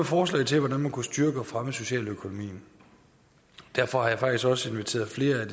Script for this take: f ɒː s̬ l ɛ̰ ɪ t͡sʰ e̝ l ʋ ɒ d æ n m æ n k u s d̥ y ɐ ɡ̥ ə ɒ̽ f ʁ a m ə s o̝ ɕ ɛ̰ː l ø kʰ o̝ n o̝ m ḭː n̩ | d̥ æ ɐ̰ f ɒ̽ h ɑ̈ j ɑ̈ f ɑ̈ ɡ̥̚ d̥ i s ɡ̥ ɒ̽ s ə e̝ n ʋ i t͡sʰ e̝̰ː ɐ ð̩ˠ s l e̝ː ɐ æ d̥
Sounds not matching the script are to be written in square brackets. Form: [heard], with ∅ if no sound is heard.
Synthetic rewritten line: f ɒː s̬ l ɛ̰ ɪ t͡sʰ e̝ l ʋ ɒ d æ n m æ n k u s d̥ y ɐ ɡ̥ ə ɒ̽ f ʁ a m ə s o̝ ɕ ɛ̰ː l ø kʰ o̝ n o̝ m ḭː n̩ | d̥ æ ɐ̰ f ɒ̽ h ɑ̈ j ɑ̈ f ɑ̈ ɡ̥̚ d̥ i s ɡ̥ ɒ̽ s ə e̝ n ʋ i t͡sʰ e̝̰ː ɐ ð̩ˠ [f] l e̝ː ɐ æ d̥